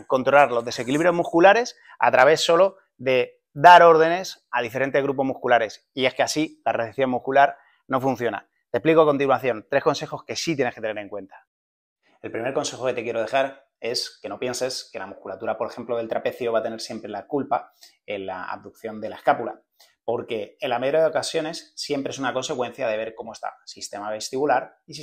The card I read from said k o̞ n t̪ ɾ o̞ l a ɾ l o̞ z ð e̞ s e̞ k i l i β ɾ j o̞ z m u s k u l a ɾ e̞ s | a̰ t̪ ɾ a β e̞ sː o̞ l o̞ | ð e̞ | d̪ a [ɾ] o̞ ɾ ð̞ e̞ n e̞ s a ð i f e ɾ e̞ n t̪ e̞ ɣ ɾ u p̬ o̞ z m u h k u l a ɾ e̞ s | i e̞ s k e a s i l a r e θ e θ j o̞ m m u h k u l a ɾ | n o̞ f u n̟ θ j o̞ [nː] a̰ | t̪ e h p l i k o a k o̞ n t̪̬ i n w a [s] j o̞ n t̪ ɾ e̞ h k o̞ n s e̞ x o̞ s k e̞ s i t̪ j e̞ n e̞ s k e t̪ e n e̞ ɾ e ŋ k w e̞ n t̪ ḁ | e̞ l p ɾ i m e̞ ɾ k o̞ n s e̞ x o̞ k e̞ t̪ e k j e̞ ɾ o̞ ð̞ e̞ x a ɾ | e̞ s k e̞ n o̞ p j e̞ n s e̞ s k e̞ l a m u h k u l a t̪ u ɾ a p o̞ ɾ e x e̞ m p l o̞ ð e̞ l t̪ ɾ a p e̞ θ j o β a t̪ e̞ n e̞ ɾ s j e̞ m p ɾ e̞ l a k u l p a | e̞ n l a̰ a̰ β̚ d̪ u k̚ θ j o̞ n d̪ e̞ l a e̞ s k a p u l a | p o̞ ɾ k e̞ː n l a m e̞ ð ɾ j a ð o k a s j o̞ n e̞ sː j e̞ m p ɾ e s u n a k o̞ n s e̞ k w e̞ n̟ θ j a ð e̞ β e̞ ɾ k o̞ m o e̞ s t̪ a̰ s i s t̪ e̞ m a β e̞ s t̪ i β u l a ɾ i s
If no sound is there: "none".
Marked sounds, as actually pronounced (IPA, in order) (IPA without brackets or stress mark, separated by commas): ɾ, n, θ